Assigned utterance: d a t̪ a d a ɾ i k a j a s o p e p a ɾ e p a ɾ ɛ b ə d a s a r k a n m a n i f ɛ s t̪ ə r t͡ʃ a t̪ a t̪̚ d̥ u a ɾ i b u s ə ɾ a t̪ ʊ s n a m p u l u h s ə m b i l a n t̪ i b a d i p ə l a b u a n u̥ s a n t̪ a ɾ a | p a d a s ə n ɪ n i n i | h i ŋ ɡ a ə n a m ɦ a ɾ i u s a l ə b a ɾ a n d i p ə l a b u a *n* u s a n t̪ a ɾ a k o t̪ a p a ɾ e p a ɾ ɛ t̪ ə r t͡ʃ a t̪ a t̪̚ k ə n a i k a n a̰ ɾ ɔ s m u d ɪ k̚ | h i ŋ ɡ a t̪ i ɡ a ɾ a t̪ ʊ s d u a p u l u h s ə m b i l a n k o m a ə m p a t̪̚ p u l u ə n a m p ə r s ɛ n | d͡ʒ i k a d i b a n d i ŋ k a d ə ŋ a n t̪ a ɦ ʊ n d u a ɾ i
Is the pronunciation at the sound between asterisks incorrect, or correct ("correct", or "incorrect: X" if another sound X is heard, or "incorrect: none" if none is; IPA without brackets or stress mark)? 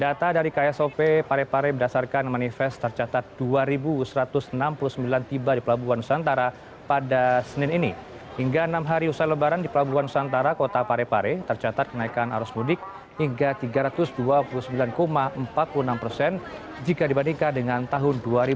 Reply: correct